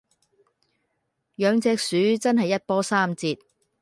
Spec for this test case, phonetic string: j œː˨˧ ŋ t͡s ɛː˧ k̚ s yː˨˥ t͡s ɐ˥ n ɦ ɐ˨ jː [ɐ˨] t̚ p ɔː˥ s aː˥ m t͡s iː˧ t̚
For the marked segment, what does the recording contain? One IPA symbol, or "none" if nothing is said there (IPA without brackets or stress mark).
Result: ɐ˥